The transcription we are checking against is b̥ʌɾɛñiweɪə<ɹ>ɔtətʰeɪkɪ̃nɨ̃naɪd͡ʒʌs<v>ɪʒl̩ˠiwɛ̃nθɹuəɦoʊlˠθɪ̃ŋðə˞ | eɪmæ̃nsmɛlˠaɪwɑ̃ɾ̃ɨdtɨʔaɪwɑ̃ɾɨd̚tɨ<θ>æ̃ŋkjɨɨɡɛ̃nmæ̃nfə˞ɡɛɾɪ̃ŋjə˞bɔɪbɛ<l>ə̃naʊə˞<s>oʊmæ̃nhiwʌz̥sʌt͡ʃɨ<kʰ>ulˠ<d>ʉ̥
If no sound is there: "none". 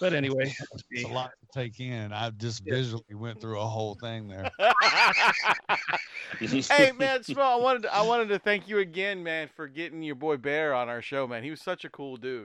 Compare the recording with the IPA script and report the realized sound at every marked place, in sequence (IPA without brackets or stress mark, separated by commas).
l, v, θ, ɹ, ʃ, kʰ, d